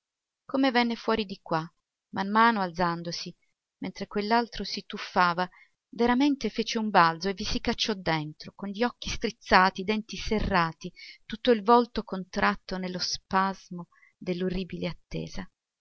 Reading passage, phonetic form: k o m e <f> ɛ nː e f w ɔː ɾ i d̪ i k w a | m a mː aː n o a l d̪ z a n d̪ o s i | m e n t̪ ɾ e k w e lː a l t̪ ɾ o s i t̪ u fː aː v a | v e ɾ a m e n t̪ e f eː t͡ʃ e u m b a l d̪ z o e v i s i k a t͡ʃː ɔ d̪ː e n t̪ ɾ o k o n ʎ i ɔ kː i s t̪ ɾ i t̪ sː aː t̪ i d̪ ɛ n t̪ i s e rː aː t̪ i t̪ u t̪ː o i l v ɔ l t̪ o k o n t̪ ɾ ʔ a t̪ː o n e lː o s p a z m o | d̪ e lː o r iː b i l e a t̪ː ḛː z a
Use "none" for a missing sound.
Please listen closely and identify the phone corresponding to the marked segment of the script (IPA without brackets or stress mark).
v